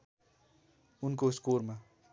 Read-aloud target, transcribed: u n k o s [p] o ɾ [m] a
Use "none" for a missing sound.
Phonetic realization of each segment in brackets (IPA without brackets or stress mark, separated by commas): k, m